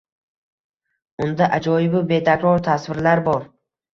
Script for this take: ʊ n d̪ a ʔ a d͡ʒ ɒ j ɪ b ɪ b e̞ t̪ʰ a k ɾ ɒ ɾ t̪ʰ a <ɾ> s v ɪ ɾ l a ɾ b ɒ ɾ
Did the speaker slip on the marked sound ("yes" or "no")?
yes